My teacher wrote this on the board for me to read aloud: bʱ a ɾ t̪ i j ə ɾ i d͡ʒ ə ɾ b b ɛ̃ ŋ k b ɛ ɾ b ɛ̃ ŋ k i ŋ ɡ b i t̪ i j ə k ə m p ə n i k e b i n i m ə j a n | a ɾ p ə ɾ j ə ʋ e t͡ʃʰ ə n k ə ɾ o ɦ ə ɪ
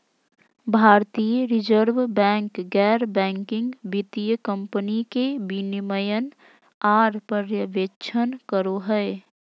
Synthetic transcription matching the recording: bʱ a ɾ t̪ i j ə ɾ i d͡ʒ ə ɾ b b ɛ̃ ŋ k ɡ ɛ ɾ b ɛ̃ ŋ k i ŋ ɡ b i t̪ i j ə k ə m p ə n i k e b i n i m ə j ə n | a ɾ p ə ɾ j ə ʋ e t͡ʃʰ ə n k ə ɾ o ɦ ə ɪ